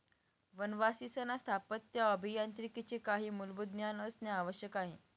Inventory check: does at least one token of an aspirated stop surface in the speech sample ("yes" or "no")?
yes